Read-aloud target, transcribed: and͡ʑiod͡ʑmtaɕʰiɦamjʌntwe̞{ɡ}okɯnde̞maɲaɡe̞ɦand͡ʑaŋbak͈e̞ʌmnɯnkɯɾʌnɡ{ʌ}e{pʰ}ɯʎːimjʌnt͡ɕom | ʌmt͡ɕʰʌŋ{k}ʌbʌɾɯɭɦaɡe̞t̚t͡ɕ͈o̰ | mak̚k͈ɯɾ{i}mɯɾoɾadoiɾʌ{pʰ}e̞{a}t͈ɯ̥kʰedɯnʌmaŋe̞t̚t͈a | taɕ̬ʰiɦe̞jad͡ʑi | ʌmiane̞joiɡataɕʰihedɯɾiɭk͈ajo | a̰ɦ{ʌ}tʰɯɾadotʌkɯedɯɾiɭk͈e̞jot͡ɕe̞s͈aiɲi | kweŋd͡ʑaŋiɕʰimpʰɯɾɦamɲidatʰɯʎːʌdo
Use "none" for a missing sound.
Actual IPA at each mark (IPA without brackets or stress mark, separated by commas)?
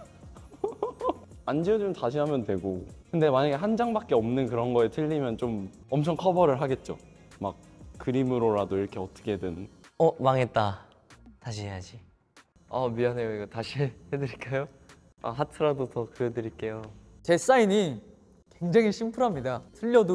ɡ, ʌ, tʰ, kʰ, i, kʰ, ʌ, a